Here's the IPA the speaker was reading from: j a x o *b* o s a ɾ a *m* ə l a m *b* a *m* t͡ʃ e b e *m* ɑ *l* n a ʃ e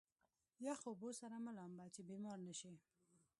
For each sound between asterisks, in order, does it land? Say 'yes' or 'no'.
yes, yes, yes, no, yes, no

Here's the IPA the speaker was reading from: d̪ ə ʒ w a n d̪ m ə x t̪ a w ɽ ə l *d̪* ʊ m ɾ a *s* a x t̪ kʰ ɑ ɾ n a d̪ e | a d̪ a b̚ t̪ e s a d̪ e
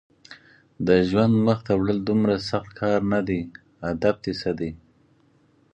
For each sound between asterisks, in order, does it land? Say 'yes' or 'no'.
yes, yes

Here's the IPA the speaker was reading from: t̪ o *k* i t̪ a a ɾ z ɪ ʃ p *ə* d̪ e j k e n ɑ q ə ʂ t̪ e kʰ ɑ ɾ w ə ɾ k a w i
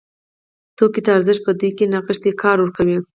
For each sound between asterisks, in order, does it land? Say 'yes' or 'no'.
yes, yes

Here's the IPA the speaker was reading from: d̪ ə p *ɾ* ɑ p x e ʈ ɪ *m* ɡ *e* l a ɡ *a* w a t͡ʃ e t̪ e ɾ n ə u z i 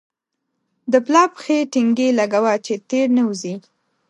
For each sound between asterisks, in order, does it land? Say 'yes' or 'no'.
no, no, yes, yes

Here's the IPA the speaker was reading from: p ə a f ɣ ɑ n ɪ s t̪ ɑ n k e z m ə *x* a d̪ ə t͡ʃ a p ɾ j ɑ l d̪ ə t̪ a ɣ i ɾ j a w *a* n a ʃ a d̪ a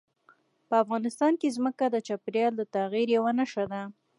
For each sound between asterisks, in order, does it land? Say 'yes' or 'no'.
no, yes

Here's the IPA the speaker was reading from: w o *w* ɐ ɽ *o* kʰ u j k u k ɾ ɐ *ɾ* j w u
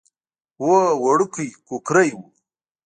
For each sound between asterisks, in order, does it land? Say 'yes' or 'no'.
yes, no, no

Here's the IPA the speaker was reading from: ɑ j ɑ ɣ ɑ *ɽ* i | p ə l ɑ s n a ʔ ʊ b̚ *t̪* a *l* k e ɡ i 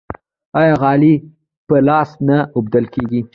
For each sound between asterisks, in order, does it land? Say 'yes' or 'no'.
no, no, yes

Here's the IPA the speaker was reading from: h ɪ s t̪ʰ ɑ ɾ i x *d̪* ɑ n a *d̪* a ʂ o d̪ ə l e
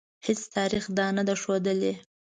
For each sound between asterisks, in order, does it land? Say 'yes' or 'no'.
yes, yes

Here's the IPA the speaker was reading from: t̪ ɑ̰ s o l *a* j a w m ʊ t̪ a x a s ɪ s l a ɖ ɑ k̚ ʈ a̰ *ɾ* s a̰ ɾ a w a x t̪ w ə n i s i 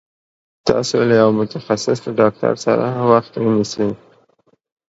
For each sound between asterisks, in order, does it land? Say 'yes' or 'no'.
yes, yes

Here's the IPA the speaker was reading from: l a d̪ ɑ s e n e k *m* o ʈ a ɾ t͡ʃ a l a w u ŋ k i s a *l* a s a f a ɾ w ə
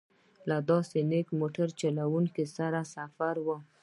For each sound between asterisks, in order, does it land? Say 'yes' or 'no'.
yes, no

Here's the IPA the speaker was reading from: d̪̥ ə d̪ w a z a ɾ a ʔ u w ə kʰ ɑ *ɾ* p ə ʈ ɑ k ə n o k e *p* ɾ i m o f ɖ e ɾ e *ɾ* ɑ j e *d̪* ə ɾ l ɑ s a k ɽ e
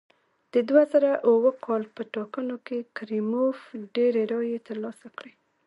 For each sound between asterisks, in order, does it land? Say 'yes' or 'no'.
no, no, yes, no

